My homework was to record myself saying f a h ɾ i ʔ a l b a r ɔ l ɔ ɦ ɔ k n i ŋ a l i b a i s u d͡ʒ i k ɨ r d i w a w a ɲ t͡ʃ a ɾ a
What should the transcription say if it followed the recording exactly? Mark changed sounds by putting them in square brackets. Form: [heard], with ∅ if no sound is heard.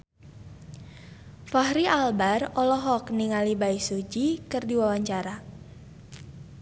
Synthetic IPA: f a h ɾ i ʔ a l b a r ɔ l ɔ ɦ ɔ k n i ŋ a l i b a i s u d͡ʒ i k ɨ r d i w a w a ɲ t͡ʃ a ɾ a